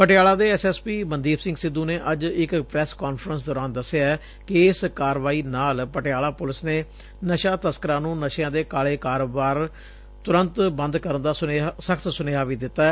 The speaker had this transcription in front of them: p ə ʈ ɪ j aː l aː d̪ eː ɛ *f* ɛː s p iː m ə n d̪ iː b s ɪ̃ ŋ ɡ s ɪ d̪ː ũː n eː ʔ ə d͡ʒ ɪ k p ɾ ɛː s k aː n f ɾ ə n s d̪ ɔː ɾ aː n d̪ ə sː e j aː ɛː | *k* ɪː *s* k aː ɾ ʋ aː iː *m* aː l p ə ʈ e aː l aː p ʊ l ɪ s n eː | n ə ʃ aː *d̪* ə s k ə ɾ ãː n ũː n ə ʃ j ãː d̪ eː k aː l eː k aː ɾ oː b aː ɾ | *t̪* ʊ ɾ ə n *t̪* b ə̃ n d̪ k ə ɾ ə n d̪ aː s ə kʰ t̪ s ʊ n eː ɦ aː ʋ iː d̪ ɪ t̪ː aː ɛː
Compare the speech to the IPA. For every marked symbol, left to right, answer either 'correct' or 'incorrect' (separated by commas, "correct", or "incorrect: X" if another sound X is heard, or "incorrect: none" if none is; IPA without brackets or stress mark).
incorrect: s, correct, correct, incorrect: n, incorrect: t̪, correct, correct